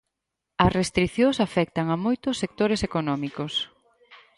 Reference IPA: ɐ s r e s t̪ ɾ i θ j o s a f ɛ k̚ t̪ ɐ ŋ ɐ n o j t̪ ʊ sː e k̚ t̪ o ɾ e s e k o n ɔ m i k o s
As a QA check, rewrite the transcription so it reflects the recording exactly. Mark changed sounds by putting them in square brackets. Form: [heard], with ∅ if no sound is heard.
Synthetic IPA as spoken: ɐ s r e s t̪ ɾ i θ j o s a f ɛ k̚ t̪ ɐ ŋ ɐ [m] o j t̪ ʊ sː e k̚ t̪ o ɾ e s e k o n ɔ m i k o s

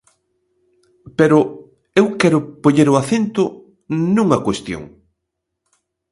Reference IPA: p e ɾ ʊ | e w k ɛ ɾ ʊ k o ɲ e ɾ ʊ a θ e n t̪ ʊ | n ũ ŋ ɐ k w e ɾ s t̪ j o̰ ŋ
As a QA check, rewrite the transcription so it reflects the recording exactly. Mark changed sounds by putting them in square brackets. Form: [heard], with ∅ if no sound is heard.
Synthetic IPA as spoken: p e ɾ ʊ | e w k ɛ ɾ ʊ [p] o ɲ e ɾ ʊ a θ e n t̪ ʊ | n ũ ŋ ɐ k w e [∅] s t̪ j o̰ ŋ

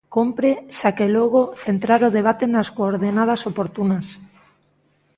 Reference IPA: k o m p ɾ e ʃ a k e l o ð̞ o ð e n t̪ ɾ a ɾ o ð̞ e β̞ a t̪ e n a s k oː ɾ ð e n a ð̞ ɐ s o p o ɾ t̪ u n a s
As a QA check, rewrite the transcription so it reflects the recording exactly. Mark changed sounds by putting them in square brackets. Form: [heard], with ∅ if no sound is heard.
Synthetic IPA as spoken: k o m p ɾ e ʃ a k e l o [ɣ̞] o [θ] e n t̪ ɾ a ɾ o ð̞ e β̞ a t̪ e n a s k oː ɾ ð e n a ð̞ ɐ s o p o ɾ t̪ u n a s

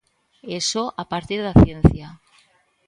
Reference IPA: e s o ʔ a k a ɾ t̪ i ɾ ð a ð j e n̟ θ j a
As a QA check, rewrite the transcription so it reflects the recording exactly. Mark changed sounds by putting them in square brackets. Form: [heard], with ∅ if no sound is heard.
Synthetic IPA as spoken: e s o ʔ a [p] a ɾ t̪ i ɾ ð a [θ] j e n̟ θ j a

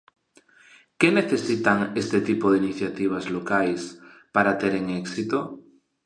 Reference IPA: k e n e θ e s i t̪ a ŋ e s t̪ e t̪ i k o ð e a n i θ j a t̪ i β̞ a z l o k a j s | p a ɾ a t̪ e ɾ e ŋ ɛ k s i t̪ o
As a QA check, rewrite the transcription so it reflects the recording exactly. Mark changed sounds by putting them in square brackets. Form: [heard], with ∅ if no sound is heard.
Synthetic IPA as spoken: k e n e θ e s i t̪ a ŋ e s t̪ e t̪ i [p] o ð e [i] n i θ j a t̪ i β̞ a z l o k a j s | p a ɾ a t̪ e ɾ e ŋ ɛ k s i t̪ o

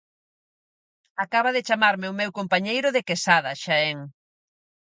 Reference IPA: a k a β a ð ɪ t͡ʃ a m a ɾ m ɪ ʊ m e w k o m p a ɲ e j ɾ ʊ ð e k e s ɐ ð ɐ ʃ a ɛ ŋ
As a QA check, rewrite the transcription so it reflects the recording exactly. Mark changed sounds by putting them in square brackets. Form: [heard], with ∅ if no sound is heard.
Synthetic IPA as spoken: a k a β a ð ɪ t͡ʃ a m a ɾ m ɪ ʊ m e w k o m p a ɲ e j ɾ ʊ ð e k e s [a] ð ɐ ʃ a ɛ ŋ

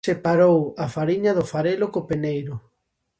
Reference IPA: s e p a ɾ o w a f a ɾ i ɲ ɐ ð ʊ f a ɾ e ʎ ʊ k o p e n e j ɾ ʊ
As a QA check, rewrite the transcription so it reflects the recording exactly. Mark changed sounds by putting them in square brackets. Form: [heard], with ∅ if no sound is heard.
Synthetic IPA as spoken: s e p a ɾ o w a f a ɾ i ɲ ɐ ð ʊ f a ɾ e [l] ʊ k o p e n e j ɾ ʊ

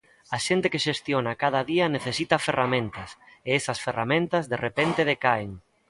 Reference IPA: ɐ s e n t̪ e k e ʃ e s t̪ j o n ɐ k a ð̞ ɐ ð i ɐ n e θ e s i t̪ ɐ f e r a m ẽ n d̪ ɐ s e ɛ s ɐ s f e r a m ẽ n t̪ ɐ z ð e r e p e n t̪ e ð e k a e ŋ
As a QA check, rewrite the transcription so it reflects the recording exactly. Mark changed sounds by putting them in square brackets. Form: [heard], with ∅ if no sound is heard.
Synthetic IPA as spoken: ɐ [ʃ] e n t̪ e k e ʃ e s t̪ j o n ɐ k a ð̞ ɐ ð i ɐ n e θ e s i t̪ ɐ f e r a m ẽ n [t̪] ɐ s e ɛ s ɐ s f e r a m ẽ n t̪ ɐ z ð e r e p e n t̪ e ð e k a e ŋ

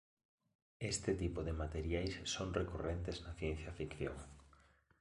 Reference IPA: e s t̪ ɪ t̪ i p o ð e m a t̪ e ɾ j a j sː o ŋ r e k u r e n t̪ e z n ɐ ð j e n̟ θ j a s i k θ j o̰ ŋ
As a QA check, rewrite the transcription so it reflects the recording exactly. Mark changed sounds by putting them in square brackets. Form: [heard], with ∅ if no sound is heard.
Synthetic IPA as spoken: e s t̪ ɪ t̪ i p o ð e m a t̪ e ɾ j a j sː o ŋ r e k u r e n t̪ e z n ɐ [θ] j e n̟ θ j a [f] i k θ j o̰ ŋ

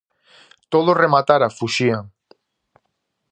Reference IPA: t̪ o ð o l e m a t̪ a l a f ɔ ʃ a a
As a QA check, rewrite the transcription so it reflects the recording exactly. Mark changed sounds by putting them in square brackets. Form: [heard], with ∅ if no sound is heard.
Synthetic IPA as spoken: t̪ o ð o [r] e m a t̪ a [ɾ] a f [u] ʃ [i] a

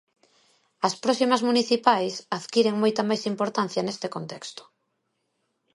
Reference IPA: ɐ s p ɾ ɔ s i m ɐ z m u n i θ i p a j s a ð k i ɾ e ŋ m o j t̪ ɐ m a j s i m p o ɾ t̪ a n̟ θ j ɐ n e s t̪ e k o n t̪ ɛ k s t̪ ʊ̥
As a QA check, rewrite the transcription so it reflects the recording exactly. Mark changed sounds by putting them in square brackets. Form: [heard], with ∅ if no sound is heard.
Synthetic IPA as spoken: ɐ s p ɾ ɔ s i m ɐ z m u n i θ i p a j s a ð k i ɾ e ŋ m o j t̪ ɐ m a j s i m p o ɾ t̪ a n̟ θ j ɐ n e s t̪ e k o n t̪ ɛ k s t̪ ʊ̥

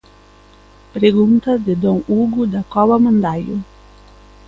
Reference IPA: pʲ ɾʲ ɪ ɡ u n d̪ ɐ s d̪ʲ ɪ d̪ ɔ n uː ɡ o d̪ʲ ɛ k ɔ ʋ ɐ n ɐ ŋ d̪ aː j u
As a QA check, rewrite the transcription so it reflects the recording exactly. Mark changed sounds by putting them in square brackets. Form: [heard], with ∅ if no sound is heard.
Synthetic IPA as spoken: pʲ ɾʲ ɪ ɡ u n [t̪] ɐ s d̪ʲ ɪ d̪ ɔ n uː ɡ [u] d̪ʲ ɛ k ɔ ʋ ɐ [m] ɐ [n] d̪ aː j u

